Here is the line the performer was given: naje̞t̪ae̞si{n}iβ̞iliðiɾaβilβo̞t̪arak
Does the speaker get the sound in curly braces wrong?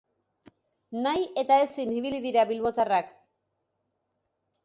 no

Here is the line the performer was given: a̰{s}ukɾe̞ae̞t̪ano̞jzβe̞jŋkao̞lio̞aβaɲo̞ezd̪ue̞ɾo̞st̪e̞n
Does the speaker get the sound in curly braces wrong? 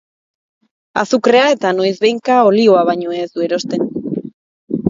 no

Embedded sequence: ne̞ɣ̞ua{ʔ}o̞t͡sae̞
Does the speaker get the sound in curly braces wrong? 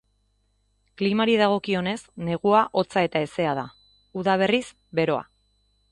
no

